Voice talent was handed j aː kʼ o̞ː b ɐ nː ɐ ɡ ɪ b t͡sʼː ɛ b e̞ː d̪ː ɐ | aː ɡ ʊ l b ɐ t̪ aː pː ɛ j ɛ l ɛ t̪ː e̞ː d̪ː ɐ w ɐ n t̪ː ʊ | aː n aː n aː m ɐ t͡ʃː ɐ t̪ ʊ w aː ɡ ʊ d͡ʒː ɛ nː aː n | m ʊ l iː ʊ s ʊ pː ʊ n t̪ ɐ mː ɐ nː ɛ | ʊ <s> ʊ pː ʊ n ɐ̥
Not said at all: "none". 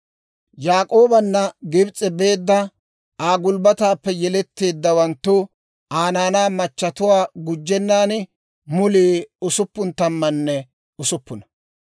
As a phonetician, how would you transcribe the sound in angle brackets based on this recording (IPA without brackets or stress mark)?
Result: s